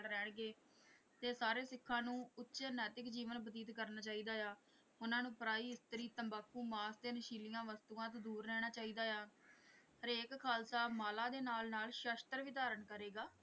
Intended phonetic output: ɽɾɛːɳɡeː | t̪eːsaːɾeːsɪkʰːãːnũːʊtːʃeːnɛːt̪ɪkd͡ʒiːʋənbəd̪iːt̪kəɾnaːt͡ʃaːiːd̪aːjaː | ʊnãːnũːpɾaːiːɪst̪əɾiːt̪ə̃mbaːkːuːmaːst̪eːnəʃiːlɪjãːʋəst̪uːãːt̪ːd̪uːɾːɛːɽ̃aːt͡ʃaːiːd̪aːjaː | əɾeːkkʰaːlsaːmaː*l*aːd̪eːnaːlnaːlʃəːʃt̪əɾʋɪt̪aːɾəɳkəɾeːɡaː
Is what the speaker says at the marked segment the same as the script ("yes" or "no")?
yes